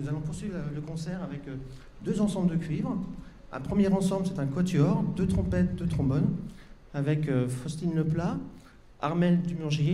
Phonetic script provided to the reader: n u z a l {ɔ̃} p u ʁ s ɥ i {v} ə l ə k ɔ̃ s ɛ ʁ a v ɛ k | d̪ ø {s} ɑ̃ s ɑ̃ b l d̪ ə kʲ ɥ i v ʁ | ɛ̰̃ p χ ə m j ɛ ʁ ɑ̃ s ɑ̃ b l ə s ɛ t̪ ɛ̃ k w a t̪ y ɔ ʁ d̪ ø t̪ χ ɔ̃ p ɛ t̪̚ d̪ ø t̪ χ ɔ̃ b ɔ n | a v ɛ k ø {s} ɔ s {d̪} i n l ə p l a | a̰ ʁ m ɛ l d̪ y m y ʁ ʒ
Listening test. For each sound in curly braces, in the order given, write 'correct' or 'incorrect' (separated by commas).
correct, correct, incorrect, incorrect, incorrect